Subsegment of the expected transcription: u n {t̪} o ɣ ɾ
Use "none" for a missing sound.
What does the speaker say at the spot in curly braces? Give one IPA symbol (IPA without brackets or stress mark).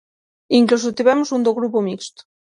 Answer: d̪